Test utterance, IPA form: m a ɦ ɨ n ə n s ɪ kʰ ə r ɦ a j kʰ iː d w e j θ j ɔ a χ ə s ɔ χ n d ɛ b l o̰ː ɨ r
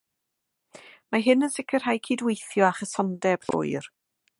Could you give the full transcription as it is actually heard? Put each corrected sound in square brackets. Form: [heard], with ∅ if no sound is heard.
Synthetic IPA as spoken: m a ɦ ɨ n ə n s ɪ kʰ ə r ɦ a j kʰ iː d w e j θ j ɔ a χ ə s ɔ [∅] n d ɛ b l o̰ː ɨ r